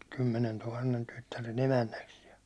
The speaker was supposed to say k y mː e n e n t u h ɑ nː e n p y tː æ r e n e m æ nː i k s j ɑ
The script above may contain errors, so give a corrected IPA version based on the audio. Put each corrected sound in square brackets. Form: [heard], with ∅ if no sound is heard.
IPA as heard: k y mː e n e n t u h ɑ nː e n [t] y tː æ r e n e m æ nː [æ] k s j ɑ